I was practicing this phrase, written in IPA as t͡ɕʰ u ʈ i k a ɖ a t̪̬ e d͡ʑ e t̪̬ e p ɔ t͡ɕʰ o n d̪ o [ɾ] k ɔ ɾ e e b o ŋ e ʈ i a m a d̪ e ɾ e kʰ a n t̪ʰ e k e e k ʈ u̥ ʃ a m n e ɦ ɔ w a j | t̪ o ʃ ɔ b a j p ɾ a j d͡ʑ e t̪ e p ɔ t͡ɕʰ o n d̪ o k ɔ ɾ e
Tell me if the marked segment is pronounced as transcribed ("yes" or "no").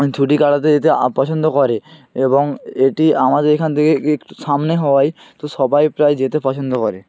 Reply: no